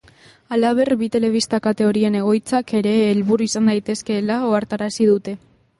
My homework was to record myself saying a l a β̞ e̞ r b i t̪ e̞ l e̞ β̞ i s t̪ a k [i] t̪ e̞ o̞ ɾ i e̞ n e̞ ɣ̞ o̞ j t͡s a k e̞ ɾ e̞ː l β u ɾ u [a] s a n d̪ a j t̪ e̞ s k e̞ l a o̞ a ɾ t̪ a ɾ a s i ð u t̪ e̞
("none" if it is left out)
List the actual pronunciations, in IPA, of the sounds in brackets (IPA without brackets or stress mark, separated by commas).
a, i